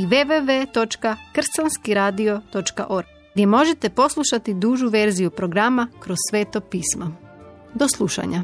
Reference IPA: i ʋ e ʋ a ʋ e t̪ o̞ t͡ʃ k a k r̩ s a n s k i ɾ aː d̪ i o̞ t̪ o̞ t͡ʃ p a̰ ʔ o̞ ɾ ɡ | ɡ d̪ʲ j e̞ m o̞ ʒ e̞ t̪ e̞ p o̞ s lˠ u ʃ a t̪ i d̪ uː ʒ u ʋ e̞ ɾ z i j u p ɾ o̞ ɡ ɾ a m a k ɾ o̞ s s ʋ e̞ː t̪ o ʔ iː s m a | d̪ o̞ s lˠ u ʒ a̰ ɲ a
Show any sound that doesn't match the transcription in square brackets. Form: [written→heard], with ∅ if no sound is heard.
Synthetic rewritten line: i ʋ e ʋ [a→e] ʋ e t̪ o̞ t͡ʃ k a k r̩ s a n s k i ɾ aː d̪ i o̞ t̪ o̞ t͡ʃ [p→k] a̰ ʔ o̞ ɾ ɡ | ɡ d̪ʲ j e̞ m o̞ ʒ e̞ t̪ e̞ p o̞ s lˠ u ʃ a t̪ i d̪ uː ʒ u ʋ e̞ ɾ z i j u p ɾ o̞ ɡ ɾ a m a k ɾ o̞ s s ʋ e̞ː t̪ o [ʔ→p] iː s m a | d̪ o̞ s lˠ u [ʒ→ʃ] a̰ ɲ a